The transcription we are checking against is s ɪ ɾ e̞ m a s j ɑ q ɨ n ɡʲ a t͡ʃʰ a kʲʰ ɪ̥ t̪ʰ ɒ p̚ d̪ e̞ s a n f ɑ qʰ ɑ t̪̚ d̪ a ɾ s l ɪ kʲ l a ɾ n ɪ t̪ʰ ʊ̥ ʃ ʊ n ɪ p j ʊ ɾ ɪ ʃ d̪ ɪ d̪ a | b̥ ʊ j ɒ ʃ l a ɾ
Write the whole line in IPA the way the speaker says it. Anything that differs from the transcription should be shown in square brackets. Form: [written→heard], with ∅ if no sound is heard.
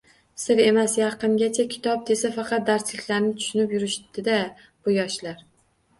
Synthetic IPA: s ɪ ɾ e̞ m a s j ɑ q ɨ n ɡʲ a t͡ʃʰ a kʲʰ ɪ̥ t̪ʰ ɒ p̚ d̪ e̞ s a [n→∅] f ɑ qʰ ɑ t̪̚ d̪ a ɾ s l ɪ kʲ l a ɾ n ɪ t̪ʰ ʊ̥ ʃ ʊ n ɪ p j ʊ ɾ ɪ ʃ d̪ ɪ d̪ a | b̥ ʊ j ɒ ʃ l a ɾ